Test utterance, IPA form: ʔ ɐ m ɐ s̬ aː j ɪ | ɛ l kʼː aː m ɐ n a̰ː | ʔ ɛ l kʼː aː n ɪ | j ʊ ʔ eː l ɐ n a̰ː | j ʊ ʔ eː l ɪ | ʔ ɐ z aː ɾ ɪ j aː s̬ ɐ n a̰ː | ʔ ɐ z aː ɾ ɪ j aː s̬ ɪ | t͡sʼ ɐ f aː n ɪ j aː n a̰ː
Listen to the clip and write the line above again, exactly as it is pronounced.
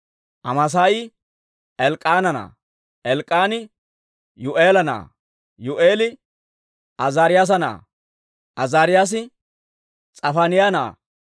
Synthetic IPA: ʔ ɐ m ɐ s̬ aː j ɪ | ɛ l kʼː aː n ɐ n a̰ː | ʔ ɛ l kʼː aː n ɪ | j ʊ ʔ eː l ɐ n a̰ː | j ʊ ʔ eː l ɪ | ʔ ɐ z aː ɾ ɪ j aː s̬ ɐ n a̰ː | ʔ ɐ z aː ɾ ɪ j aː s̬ ɪ | t͡sʼ ɐ f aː n ɪ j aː n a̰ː